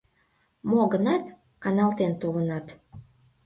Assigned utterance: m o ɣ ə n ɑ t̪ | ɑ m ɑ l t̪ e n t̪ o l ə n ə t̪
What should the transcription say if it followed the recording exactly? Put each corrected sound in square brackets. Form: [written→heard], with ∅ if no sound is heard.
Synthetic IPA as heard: m o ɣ ə n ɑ t̪ | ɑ [m→n] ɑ l t̪ e n t̪ o l ə n [ə→ɑ] t̪